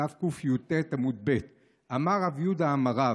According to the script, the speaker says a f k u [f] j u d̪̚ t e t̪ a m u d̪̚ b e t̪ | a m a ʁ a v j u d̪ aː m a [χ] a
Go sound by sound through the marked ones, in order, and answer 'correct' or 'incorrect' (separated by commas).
correct, incorrect